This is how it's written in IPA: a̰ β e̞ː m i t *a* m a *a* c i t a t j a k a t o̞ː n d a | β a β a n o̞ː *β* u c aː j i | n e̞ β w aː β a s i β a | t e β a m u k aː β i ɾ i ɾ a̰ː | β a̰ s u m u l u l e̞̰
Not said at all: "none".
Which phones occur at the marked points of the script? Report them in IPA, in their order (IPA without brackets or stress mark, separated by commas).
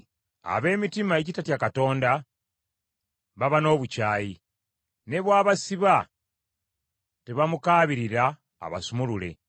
i, e, β